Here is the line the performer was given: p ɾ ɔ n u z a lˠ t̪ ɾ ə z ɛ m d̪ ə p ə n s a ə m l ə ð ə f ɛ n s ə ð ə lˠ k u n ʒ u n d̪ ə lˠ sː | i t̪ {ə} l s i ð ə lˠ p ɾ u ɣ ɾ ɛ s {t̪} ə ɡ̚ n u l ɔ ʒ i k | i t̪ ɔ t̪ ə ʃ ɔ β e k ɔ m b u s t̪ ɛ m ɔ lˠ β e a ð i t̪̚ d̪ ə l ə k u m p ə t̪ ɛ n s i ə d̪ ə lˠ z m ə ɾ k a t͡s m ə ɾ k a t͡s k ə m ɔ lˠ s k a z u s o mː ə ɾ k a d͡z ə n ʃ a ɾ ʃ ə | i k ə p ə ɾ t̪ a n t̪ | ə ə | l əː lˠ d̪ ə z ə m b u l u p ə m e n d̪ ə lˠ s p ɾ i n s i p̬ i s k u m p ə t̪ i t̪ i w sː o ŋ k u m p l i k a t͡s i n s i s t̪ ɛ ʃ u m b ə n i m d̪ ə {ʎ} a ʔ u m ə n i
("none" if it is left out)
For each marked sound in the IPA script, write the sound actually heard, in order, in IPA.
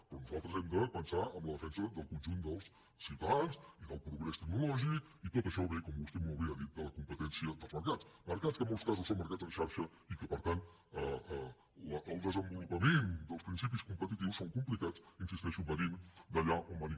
a, t̪, ʎ

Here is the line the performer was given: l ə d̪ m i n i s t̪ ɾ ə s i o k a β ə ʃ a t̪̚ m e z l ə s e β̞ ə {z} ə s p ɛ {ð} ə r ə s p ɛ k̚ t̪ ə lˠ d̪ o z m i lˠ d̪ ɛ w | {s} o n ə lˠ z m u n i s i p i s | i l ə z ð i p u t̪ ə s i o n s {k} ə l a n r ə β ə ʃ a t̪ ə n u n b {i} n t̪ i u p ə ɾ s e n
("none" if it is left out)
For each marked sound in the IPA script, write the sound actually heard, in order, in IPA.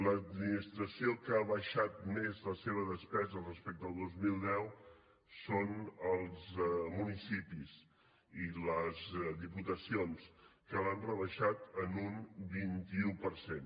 ð, z, s, k, i

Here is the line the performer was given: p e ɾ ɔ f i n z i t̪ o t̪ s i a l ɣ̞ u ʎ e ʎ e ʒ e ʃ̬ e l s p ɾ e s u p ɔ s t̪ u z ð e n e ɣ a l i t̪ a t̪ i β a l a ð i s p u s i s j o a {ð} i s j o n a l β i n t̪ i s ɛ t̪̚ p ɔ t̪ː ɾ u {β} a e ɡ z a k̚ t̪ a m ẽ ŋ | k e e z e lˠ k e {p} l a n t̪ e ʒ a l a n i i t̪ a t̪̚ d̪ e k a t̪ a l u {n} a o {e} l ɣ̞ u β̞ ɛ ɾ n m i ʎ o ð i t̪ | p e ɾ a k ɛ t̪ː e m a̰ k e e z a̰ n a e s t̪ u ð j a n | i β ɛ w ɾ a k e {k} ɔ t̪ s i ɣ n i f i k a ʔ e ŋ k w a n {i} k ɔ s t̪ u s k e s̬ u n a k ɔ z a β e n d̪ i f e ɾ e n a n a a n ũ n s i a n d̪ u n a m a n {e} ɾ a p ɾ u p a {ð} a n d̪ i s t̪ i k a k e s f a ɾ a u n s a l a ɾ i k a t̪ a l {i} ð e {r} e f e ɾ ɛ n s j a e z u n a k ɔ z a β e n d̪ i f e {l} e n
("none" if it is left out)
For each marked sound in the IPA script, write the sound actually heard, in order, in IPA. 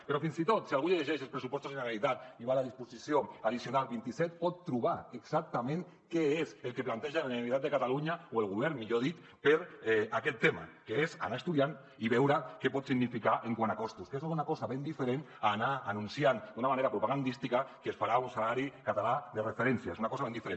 ð, β, p, ɲ, e, p, a, e, ɣ, a, r, ɾ

